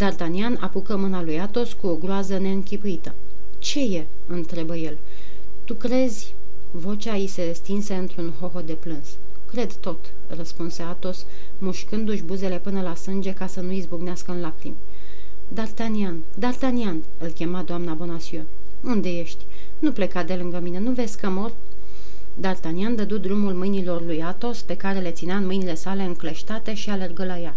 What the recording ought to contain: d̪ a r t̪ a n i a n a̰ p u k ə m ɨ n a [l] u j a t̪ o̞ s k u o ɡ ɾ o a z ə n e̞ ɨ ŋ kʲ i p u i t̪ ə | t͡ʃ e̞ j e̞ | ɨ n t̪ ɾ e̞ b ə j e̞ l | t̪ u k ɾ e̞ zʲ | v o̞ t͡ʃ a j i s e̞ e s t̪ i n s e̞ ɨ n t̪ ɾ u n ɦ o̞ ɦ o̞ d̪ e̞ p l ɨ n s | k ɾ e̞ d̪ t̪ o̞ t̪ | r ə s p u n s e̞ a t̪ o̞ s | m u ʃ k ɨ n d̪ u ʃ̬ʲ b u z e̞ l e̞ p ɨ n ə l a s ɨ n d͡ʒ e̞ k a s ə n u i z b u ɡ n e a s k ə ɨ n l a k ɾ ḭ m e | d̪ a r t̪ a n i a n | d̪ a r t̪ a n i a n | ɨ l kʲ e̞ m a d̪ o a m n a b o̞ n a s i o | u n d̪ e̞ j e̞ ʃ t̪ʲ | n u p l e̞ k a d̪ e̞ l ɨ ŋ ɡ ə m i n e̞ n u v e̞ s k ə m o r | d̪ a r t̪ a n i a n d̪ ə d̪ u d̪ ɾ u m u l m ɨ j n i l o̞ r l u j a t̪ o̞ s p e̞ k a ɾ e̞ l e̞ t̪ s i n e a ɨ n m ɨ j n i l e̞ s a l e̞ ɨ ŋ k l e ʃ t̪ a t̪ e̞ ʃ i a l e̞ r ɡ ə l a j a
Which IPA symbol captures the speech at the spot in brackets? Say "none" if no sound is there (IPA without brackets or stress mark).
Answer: l